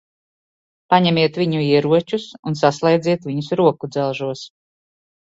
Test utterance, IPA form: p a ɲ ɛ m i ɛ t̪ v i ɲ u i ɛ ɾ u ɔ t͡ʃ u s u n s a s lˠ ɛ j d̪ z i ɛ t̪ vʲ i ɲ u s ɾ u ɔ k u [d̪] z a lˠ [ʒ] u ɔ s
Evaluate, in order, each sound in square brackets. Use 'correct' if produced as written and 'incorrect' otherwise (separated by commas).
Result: correct, correct